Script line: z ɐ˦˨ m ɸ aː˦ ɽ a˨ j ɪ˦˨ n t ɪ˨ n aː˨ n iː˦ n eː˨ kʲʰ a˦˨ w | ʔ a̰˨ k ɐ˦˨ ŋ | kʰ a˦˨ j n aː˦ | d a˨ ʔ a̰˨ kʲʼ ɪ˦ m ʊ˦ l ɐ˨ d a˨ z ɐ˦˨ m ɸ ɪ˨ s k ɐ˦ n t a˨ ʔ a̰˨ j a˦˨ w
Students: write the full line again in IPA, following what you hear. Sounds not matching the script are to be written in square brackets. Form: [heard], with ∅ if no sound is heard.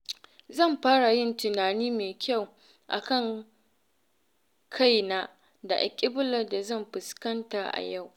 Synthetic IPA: z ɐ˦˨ m ɸ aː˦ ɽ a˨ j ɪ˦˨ n t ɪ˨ n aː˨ n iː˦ [m] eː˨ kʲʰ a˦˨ w | ʔ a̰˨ k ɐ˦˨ ŋ | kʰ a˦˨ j n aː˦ | d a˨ ʔ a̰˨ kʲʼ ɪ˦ [b] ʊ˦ l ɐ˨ d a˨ z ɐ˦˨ m ɸ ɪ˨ s k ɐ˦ n t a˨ ʔ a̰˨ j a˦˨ w